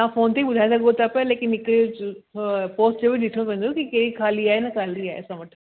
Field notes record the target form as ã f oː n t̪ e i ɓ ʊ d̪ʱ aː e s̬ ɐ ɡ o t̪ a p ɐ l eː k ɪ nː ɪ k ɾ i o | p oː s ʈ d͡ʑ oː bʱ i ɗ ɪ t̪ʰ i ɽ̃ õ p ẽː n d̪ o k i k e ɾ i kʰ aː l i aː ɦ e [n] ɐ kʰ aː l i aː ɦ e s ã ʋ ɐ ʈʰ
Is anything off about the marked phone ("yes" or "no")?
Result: no